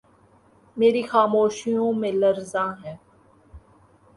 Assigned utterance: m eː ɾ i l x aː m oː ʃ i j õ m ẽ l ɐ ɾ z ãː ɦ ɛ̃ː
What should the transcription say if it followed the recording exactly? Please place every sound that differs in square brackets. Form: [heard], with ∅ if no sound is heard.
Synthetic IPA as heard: m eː ɾ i [∅] x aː m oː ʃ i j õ m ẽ l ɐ ɾ z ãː ɦ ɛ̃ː